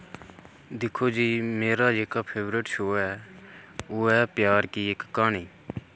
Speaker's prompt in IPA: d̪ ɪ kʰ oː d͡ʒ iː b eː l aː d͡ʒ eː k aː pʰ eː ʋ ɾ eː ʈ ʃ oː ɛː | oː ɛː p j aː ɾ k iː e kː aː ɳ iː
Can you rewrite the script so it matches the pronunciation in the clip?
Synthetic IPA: d̪ ɪ kʰ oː d͡ʒ iː m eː ɾ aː d͡ʒ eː k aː pʰ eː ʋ ɾ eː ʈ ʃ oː ɛː | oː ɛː p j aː ɾ k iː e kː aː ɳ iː